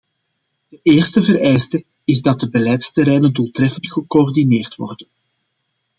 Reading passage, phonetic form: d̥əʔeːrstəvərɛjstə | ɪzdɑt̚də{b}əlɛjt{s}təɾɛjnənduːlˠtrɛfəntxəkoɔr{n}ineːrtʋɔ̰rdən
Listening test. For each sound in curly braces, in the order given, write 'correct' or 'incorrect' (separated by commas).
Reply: correct, correct, incorrect